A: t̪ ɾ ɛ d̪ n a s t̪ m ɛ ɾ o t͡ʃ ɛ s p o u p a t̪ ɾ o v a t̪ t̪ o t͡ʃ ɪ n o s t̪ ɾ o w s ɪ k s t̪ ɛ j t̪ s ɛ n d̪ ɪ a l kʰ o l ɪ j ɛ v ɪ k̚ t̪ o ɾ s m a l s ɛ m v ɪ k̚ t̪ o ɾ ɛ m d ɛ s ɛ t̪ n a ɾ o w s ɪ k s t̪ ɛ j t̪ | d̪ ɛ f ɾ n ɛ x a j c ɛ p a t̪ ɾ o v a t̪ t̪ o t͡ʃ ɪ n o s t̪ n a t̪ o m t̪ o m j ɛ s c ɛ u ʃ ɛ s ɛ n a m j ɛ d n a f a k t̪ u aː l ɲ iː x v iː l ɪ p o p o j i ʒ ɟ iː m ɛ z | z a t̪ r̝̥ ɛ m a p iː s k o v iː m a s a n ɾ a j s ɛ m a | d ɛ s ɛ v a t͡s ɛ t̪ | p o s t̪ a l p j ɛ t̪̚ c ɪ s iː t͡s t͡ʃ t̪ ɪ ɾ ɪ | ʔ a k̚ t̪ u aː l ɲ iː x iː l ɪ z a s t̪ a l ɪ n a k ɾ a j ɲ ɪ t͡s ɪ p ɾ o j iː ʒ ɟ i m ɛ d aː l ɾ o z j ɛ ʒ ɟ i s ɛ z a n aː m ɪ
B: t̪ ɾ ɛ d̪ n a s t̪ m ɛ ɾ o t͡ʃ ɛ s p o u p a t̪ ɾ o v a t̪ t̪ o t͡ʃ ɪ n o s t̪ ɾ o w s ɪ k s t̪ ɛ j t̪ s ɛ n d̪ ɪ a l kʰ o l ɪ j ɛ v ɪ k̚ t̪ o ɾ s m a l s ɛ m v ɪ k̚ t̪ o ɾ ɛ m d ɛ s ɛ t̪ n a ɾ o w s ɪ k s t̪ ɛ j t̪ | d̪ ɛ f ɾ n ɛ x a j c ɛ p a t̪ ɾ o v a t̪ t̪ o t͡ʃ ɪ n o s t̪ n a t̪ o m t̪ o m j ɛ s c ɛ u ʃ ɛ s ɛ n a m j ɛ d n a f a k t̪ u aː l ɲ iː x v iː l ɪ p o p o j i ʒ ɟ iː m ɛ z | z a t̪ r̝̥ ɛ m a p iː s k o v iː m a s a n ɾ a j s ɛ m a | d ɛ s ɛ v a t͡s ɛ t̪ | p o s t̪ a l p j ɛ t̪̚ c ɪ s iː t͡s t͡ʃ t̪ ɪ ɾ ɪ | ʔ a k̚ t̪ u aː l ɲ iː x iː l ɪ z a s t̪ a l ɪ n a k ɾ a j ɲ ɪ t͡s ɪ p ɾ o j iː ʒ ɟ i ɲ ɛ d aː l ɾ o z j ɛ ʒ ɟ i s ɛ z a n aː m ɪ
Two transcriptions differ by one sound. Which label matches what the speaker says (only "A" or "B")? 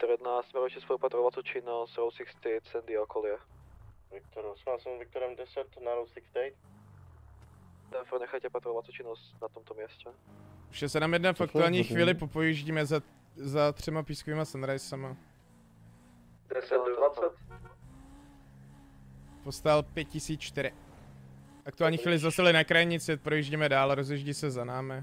A